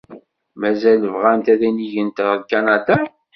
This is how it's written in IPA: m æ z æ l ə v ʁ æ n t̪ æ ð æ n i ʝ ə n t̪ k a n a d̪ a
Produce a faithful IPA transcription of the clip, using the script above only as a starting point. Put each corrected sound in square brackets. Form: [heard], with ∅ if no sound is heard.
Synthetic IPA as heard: m æ z æ l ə v ʁ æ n t̪ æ ð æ n i ʝ ə n t̪ k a n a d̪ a